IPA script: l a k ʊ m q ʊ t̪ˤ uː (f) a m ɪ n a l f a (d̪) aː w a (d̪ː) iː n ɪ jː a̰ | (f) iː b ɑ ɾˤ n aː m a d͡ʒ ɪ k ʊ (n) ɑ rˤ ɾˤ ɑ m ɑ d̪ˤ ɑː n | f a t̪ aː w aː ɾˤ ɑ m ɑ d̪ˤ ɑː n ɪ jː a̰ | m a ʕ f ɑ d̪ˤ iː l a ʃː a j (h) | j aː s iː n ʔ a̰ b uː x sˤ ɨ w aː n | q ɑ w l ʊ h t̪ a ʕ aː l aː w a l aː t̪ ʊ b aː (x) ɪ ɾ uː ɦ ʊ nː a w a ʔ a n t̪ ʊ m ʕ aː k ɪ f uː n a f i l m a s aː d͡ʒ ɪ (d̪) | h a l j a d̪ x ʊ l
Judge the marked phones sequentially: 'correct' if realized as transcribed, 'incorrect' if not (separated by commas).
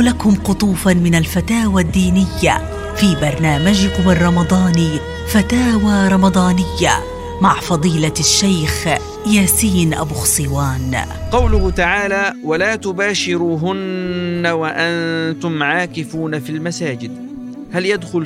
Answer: correct, incorrect, correct, correct, incorrect, incorrect, incorrect, correct